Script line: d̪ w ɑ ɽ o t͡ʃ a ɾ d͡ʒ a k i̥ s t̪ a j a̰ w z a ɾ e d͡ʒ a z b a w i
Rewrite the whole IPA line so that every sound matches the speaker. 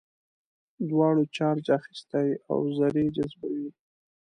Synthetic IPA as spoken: d̪ w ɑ ɽ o t͡ʃ ɑ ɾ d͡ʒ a x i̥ s t̪ a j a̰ w z a ɾ e d͡ʒ a z b a w i